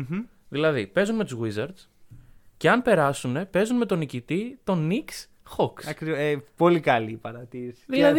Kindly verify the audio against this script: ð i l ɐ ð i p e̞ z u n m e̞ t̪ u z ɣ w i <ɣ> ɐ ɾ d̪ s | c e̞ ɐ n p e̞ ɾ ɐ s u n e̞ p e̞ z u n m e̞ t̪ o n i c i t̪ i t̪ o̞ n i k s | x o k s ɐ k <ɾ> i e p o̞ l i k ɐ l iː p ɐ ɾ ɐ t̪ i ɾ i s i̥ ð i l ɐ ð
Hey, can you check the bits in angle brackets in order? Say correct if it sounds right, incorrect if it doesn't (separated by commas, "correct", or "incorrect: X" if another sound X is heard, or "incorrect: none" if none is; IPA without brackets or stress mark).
incorrect: z, correct